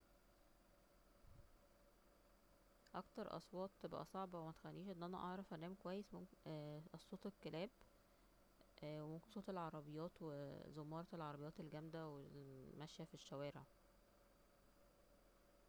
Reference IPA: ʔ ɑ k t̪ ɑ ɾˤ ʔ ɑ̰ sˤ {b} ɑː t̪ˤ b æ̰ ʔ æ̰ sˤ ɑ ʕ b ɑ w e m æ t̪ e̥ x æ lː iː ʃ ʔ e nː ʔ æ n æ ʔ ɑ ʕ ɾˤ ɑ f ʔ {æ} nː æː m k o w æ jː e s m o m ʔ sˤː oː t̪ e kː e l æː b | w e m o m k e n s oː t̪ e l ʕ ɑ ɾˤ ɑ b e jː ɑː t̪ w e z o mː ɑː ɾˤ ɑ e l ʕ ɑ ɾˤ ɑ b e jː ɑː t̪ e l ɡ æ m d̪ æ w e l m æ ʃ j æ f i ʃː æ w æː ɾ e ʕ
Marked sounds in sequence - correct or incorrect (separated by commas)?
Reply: incorrect, correct